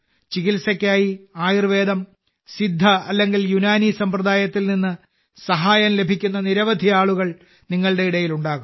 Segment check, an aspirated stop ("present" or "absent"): absent